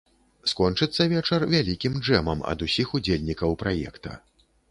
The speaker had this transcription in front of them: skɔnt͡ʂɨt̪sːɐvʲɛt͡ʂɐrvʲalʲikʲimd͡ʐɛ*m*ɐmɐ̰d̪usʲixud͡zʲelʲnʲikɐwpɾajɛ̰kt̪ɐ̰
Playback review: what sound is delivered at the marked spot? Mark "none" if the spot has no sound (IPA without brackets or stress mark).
m